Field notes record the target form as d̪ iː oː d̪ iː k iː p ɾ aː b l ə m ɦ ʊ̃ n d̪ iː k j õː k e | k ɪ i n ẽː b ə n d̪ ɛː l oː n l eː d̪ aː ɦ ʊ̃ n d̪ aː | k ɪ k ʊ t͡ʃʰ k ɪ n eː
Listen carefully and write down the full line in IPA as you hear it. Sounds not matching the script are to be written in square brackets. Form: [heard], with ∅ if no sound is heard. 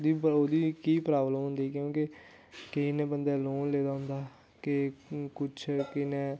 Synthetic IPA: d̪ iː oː d̪ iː k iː p ɾ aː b l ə m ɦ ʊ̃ n d̪ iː k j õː k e | k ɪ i n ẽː b ə n d̪ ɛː l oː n l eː d̪ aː ɦ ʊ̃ n d̪ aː | k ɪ k ʊ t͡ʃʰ k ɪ n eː

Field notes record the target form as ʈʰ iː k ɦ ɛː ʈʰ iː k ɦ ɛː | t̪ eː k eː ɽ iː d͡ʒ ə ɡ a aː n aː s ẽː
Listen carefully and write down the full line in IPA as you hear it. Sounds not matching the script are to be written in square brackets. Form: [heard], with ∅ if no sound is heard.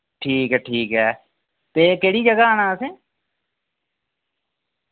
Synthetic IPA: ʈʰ iː k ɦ ɛː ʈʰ iː k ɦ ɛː | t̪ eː k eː ɽ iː d͡ʒ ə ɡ a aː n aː s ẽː

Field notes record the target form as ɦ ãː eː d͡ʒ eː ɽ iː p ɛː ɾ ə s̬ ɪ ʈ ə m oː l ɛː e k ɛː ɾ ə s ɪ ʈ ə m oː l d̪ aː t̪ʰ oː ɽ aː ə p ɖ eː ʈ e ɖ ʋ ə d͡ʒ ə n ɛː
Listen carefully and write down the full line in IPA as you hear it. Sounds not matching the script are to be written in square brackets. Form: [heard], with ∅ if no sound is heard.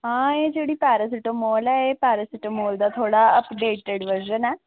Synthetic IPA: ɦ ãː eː d͡ʒ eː ɽ iː p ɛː ɾ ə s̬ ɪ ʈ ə m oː l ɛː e [p] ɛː ɾ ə s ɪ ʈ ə m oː l d̪ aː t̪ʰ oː ɽ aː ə p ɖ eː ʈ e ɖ ʋ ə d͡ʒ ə n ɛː

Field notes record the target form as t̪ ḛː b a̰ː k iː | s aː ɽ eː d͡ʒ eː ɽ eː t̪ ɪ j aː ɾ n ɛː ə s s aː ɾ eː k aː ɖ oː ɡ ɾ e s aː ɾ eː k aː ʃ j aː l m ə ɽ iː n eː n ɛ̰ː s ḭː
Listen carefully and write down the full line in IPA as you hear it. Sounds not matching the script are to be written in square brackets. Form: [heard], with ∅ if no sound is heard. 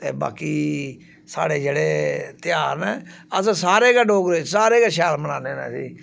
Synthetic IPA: t̪ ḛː b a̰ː k iː | s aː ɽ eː d͡ʒ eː ɽ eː t̪ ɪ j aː ɾ n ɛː ə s s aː ɾ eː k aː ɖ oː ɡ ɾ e s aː ɾ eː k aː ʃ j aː l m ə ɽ [aː] n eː n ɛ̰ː s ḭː

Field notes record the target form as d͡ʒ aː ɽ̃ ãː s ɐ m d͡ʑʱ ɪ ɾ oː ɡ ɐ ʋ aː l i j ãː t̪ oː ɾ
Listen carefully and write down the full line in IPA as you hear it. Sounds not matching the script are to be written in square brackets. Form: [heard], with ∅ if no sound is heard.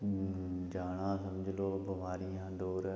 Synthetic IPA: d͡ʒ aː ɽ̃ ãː s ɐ m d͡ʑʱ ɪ [l] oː [b] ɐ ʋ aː [ɾ] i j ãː [d̪] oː ɾ

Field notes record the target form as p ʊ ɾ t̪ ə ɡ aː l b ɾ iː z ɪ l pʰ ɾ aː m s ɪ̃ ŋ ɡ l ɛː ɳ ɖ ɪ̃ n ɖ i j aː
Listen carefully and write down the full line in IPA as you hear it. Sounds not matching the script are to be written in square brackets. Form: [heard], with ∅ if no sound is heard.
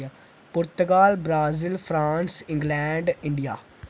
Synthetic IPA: p ʊ ɾ t̪ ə ɡ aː l b ɾ [aː] z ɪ l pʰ ɾ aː [n] s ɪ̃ ŋ ɡ l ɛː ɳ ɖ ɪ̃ [ɳ] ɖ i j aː

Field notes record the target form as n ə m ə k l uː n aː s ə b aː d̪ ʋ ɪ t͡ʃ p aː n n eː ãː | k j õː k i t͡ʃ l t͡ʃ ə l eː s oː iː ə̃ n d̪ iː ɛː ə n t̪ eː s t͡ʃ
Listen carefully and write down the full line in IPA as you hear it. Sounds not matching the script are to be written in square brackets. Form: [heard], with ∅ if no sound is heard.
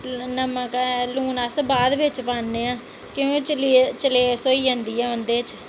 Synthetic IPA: n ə m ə k l uː n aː s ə b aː d̪ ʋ ɪ t͡ʃ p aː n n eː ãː | k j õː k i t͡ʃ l t͡ʃ ə l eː s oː iː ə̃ n d̪ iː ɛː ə n [d̪] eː [∅] t͡ʃ

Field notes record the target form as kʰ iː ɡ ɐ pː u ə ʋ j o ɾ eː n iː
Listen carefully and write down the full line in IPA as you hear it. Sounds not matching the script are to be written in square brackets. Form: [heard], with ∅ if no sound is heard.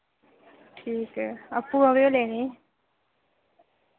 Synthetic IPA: [ʈʰ] iː [k] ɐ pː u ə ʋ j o [l] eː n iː

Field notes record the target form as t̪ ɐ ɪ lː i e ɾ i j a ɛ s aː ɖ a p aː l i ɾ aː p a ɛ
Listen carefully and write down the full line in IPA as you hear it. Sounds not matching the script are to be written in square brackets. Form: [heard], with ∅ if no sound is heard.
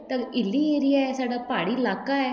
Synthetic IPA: t̪ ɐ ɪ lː i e ɾ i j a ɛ s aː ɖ a p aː [ɽ] i [l] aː [k] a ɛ

